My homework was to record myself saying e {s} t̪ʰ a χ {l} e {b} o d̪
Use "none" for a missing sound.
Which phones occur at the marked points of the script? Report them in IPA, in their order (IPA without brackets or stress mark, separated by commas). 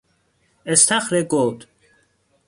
s, ɾ, ɡ